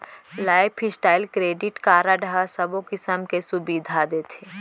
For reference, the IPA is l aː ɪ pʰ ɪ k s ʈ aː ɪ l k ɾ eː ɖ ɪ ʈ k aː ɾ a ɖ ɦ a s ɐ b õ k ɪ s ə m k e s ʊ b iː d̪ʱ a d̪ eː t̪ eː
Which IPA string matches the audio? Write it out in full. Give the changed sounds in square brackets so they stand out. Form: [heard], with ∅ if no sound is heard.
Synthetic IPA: l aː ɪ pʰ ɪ [∅] s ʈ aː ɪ l k ɾ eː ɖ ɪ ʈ k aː ɾ a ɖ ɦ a s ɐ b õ k ɪ s ə m k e s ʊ b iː d̪ʱ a d̪ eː [t̪ʰ] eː

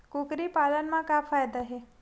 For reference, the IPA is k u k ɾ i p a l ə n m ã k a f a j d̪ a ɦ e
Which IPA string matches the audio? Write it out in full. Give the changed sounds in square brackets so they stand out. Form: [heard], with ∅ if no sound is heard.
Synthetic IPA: k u k ɾ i p a l ə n m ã k a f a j d̪ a ɦ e

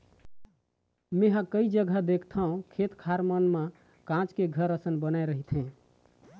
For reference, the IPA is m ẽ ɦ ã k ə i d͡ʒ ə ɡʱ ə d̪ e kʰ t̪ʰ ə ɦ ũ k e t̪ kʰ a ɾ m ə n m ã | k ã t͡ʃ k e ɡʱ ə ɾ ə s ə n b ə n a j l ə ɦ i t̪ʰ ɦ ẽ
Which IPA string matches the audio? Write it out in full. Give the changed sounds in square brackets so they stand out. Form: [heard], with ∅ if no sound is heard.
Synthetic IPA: m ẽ ɦ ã k ə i d͡ʒ ə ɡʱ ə d̪ e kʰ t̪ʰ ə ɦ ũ [kʰ] e t̪ kʰ a ɾ m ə n m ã | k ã t͡ʃ k e ɡʱ ə ɾ ə s ə n b ə n a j [ɾ] ə ɦ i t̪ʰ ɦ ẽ

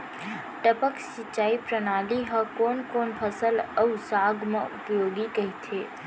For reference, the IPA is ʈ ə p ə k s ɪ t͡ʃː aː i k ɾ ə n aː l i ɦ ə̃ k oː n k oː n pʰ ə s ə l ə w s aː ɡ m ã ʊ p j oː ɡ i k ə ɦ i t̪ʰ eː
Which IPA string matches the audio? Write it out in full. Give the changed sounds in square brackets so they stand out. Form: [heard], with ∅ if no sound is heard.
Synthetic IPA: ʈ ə p ə k s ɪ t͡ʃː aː i [p] ɾ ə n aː l i ɦ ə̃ k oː n k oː n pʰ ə s ə l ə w s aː ɡ m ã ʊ p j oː ɡ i k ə ɦ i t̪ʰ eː

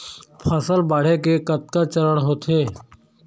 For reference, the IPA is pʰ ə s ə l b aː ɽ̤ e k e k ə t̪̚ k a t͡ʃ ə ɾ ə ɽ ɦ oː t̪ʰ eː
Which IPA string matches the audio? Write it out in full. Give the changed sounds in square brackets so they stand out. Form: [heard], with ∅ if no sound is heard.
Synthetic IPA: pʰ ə s ə l b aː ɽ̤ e k e k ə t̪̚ k a t͡ʃ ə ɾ ə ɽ ɦ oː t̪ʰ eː

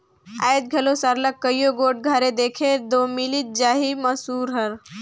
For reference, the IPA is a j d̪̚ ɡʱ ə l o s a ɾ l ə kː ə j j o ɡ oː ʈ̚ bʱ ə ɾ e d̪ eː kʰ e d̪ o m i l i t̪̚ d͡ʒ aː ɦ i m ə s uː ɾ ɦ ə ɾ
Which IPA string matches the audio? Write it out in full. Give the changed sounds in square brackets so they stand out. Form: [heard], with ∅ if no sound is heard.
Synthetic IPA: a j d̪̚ ɡʱ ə l o s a ɾ l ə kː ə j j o ɡ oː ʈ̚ [ɡʱ] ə ɾ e d̪ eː kʰ e d̪ o m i l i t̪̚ d͡ʒ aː ɦ i m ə s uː ɾ ɦ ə ɾ

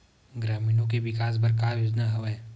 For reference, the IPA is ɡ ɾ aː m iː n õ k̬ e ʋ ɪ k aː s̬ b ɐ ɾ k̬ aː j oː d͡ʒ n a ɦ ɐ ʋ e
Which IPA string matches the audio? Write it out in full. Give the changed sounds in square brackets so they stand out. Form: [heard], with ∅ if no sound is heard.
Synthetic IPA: ɡ ɾ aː m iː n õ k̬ e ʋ ɪ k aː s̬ b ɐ ɾ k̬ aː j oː d͡ʒ n a ɦ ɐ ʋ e

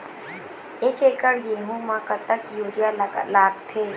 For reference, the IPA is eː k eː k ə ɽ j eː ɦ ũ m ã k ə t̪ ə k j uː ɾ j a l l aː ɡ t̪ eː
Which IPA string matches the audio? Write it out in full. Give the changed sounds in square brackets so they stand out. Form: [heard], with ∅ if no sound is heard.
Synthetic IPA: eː k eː k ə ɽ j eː ɦ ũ m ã k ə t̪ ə k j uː ɾ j a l l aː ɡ [t̪ʰ] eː

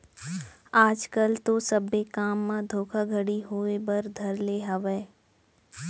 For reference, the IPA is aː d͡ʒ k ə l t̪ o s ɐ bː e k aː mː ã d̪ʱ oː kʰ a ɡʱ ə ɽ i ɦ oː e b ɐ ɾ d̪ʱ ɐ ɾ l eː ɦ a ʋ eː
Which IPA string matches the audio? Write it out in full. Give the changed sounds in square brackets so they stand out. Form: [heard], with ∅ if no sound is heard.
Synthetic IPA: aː d͡ʒ k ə l t̪ o s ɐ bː e k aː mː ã d̪ʱ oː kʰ a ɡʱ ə ɽ i ɦ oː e b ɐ ɾ d̪ʱ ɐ ɾ l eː ɦ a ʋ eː

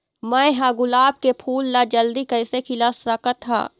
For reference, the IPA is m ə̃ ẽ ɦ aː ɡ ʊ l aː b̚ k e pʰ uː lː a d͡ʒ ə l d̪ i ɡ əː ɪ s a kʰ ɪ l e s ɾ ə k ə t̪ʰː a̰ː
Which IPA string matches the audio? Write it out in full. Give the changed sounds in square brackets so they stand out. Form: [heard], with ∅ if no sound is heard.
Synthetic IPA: m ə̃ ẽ ɦ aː ɡ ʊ l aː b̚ k e pʰ uː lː a d͡ʒ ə l d̪ i [k] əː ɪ s [e] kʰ ɪ l [a] s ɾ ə k ə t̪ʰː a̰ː

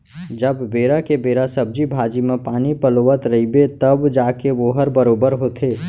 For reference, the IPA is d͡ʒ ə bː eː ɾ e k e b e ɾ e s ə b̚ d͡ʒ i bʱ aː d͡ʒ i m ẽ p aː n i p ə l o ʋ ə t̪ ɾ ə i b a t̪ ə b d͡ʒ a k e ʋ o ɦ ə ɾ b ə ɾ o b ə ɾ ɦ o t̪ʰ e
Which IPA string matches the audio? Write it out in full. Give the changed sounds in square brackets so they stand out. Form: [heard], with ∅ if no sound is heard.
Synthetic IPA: d͡ʒ ə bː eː ɾ [a] k e b e ɾ [a] s ə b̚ d͡ʒ i bʱ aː d͡ʒ i m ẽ p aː n i p ə l o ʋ ə t̪ ɾ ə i b [e] t̪ ə b d͡ʒ a k e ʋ o ɦ ə ɾ b ə ɾ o b ə ɾ ɦ o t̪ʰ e

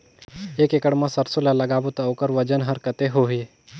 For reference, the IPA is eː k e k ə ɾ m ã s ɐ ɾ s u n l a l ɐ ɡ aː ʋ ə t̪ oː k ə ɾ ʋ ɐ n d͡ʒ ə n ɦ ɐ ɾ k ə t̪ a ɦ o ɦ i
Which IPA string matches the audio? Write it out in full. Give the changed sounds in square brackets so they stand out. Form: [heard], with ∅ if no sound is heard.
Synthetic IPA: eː k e k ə [ɽ] m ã s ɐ ɾ s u [∅] l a l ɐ ɡ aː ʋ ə t̪ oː k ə ɾ ʋ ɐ [∅] d͡ʒ ə n ɦ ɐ ɾ k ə t̪ [e] ɦ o ɦ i

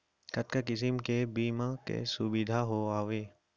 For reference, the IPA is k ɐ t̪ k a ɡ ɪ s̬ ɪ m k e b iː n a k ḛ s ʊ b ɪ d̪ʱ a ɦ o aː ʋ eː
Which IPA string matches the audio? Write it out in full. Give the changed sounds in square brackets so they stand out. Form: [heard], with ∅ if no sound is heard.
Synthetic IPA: k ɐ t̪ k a [k] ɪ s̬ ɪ m k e b iː [m] a k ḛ s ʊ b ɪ d̪ʱ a ɦ o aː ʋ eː

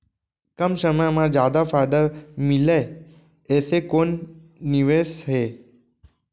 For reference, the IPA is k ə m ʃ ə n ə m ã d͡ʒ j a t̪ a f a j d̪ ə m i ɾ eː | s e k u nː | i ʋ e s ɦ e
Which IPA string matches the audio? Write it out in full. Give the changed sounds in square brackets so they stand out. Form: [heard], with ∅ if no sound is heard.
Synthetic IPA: k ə m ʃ ə [m] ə m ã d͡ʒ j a [d̪] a f a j d̪ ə m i [l] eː | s e k [o] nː | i ʋ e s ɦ e

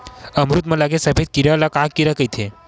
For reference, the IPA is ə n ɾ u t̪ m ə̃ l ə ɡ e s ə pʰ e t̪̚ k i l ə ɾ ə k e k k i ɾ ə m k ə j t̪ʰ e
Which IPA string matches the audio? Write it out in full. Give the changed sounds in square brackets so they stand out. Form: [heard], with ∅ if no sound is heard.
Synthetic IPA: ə [m] ɾ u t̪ m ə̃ l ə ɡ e s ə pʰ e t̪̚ k i [ɾ] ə [l] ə k [a] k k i ɾ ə [∅] k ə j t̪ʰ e

